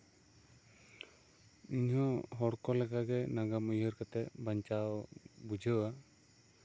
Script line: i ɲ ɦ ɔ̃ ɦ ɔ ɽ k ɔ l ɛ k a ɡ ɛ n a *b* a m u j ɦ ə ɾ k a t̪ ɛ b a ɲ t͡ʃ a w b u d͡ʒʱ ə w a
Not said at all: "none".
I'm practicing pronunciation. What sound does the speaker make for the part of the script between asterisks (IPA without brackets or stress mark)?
ɡ